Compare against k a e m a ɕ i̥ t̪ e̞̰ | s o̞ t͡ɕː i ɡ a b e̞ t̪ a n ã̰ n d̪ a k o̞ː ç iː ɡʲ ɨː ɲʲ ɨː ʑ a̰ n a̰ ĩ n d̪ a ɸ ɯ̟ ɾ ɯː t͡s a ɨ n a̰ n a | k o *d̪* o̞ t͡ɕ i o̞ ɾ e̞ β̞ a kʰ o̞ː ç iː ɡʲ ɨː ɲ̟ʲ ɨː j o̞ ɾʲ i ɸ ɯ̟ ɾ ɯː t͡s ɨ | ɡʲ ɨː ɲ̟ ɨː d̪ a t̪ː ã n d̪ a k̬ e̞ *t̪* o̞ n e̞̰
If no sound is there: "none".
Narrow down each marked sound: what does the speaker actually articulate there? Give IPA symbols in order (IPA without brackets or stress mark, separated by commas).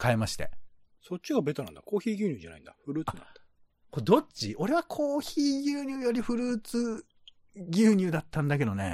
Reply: d̪, d̪